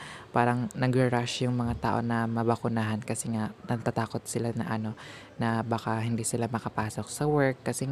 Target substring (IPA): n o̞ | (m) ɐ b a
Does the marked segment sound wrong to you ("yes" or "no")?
yes